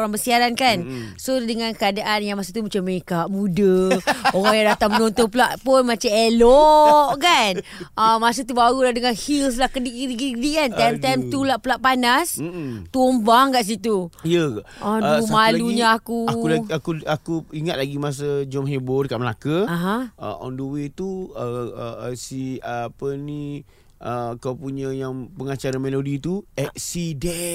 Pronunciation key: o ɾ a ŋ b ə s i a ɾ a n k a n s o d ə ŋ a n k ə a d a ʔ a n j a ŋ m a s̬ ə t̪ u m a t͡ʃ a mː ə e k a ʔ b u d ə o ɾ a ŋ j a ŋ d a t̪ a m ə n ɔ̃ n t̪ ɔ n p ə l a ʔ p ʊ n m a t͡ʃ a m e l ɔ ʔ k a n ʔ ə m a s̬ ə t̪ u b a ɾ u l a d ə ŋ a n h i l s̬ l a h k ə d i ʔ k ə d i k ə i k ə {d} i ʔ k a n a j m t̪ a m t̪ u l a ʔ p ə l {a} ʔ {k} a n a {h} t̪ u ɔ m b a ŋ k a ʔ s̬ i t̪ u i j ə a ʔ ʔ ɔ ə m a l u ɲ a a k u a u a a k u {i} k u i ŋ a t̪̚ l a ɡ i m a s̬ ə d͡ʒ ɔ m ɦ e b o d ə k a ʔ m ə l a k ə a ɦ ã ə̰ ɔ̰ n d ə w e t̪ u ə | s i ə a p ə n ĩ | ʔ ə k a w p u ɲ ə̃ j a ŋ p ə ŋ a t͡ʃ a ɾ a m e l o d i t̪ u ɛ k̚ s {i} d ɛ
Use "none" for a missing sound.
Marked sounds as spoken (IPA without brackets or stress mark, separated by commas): d, a, p, s, a, i